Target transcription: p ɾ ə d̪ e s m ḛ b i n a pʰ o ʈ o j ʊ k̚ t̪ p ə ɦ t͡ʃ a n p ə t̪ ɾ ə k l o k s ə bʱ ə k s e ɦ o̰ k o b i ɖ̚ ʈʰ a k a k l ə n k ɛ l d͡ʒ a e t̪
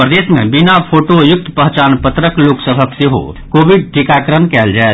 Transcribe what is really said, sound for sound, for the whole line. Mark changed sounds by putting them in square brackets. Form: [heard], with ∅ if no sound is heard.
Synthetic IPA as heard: p ɾ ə d̪ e s m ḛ b i n a pʰ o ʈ o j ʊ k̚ t̪ p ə ɦ t͡ʃ a n p ə t̪ ɾ ə k l o k s ə bʱ ə k s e ɦ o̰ k o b i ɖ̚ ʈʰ [i] k a k [ɾ] ə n k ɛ l d͡ʒ a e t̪